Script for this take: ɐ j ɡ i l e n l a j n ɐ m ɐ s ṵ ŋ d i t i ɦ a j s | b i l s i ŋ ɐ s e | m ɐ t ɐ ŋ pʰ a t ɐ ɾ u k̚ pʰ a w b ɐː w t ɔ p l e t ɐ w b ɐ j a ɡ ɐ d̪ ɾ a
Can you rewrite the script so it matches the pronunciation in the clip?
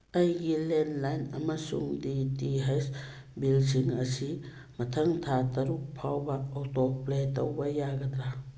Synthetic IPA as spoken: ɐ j ɡ i l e n l a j n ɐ m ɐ s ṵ ŋ d i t i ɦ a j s | b i l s i ŋ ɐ s i | m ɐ tʰ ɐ ŋ tʰ a t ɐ ɾ u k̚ pʰ a w b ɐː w t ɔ p l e t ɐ w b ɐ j a ɡ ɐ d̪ ɾ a